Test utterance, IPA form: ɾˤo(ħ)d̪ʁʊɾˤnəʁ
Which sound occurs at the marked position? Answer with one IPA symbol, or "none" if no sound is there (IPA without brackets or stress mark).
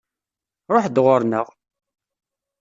ħ